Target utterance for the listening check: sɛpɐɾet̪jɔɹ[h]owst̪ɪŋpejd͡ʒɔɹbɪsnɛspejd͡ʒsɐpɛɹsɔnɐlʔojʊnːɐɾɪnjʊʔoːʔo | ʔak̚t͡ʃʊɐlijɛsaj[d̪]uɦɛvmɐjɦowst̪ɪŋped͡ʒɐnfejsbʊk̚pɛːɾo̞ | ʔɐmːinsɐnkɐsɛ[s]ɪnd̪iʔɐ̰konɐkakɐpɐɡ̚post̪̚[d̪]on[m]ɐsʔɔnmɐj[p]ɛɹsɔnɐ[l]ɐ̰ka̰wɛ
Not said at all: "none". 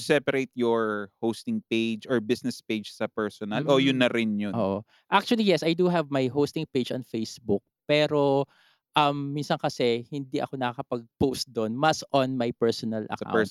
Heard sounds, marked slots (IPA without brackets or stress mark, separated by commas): h, d̪, h, d̪, m, p, l